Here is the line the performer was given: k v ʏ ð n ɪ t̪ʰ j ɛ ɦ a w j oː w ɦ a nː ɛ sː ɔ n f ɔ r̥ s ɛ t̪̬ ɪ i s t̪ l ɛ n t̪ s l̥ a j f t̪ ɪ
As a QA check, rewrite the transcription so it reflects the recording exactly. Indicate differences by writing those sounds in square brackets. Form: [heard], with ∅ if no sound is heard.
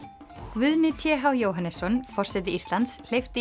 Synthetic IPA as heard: k v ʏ ð n ɪ t̪ʰ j ɛ ɦ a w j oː w ɦ a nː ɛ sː ɔ n f ɔ r̥ s ɛ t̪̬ ɪ i s t̪ l [a] n t̪ s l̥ [e] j f t̪ ɪ